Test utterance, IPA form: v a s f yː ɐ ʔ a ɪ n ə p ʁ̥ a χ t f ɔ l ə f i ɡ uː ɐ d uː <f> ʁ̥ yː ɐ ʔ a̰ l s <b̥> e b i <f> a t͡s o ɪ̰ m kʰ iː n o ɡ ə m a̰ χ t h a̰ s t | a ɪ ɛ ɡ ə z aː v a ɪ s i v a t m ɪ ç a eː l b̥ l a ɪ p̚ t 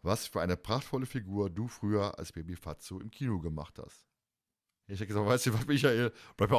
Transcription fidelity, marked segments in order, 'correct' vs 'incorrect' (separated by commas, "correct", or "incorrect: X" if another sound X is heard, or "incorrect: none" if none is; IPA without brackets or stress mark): correct, correct, correct